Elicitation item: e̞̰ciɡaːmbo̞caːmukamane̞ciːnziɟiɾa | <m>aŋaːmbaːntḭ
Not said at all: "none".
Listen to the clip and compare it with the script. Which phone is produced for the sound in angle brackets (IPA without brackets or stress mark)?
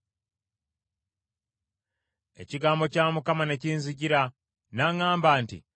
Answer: n